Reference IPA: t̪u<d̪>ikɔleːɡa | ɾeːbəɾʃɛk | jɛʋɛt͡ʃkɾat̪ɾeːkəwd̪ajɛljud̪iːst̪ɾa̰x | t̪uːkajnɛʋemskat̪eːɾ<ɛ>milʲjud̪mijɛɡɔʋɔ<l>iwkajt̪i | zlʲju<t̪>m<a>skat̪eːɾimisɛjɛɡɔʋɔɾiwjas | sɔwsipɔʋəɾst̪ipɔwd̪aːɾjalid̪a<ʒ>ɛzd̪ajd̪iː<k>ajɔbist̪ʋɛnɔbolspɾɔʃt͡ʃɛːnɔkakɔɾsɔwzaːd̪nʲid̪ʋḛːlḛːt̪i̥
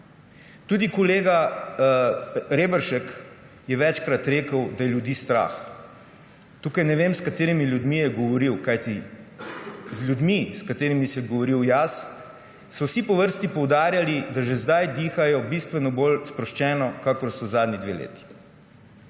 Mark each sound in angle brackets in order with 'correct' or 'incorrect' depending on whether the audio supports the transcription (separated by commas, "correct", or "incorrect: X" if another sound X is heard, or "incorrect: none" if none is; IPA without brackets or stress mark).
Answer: correct, incorrect: i, incorrect: ɾ, incorrect: d̪, incorrect: i, correct, incorrect: x